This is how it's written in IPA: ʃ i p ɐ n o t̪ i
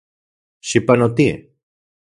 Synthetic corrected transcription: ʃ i p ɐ n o t̪ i